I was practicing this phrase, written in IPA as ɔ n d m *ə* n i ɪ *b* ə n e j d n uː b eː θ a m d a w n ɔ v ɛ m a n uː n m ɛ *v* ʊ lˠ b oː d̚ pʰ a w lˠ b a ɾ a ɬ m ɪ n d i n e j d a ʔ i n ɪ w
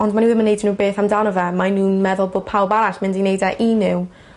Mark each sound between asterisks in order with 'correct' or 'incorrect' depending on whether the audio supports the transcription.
incorrect, incorrect, incorrect

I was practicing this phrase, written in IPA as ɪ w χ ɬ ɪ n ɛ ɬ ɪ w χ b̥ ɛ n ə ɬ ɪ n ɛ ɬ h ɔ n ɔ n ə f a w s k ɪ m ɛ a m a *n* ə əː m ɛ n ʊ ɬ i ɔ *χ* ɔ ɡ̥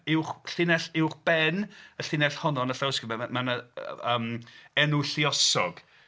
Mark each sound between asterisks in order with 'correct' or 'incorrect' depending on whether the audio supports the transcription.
correct, incorrect

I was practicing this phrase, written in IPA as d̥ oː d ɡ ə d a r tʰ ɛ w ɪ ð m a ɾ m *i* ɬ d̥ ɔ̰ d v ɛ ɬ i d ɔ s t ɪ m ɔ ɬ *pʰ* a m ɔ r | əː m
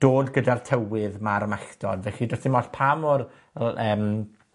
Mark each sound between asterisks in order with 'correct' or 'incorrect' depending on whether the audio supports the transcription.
incorrect, correct

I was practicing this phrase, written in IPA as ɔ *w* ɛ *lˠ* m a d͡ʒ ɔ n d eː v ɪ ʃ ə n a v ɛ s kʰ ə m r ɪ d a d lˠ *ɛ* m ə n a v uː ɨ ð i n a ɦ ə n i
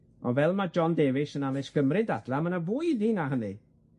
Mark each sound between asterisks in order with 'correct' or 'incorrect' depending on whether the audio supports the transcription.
incorrect, correct, incorrect

